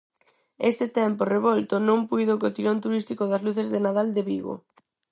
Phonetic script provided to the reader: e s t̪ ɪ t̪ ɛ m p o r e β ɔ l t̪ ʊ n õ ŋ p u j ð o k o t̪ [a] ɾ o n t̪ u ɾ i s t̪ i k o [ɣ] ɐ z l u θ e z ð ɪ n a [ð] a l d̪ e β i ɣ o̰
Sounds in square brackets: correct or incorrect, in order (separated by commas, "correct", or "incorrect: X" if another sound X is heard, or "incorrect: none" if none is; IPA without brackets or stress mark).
incorrect: i, incorrect: ð, correct